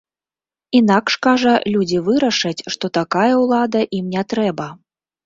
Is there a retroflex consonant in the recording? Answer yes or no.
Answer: yes